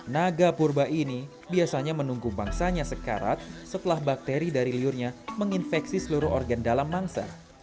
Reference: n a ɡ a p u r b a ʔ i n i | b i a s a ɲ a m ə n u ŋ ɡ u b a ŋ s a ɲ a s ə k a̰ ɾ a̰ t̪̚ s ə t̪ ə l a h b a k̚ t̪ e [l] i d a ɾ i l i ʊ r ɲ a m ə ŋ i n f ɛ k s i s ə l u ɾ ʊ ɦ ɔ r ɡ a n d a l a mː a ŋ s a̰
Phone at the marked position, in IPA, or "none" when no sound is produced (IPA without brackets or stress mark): ɾ